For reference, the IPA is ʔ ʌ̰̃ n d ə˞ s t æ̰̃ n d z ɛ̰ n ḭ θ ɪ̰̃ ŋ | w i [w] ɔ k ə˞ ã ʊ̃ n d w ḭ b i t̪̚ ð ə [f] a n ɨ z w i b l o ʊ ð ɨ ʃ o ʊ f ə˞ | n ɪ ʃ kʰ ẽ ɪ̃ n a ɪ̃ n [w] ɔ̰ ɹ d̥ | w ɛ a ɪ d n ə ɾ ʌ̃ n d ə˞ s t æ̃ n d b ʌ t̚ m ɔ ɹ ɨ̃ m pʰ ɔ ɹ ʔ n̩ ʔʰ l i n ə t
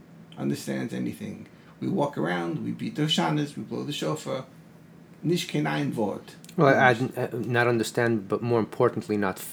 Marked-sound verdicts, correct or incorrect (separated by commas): correct, incorrect, incorrect